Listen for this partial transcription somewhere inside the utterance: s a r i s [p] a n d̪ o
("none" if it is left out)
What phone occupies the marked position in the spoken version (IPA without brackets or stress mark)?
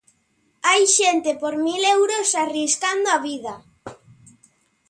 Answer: k